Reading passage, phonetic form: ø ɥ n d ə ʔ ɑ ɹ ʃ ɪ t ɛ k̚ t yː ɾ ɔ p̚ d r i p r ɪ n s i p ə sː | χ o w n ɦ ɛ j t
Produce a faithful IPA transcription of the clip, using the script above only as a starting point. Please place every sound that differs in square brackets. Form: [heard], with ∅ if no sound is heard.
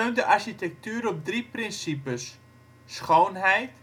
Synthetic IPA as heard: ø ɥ n d ə ʔ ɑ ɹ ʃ [i] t ɛ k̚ t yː ɾ ɔ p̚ d r i p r ɪ n s i p ə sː | χ o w n ɦ ɛ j t